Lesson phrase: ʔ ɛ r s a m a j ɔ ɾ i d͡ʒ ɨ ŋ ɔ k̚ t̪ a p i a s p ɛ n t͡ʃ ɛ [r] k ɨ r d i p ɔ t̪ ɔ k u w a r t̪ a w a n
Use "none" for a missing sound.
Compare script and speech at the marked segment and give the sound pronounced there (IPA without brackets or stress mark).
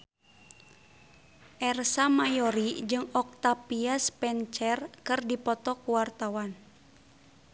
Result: r